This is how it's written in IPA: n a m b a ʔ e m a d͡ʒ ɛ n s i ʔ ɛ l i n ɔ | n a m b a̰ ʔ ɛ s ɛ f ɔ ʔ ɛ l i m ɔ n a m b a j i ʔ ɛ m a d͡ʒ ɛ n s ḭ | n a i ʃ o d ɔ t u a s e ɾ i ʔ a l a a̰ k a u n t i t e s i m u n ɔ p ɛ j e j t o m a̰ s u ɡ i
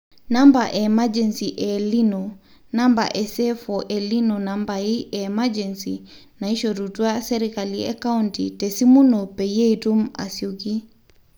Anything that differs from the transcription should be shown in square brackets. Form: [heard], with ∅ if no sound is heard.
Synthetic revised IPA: n a m b a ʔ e m a d͡ʒ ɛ n s i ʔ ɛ l i n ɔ | n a m b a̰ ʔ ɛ s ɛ f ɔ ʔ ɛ l i [n] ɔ n a m b a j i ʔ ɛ m a d͡ʒ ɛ n s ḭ | n a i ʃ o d [u] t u a s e ɾ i [k] a l [i] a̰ k a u n t i t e s i m u n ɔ p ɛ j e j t [u] m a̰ s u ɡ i